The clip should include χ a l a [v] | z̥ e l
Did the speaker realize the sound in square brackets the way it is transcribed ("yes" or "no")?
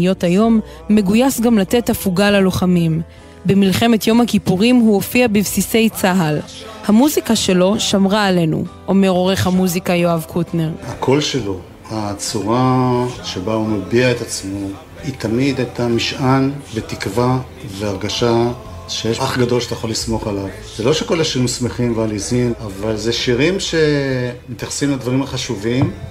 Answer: yes